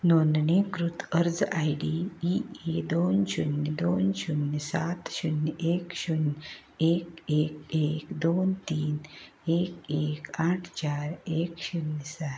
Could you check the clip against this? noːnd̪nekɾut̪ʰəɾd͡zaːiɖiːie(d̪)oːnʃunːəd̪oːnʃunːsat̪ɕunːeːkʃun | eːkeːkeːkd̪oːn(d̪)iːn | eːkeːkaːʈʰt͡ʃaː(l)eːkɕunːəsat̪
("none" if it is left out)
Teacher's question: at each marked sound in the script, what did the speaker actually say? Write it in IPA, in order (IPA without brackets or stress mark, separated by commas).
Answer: d̪, t̪, ɾ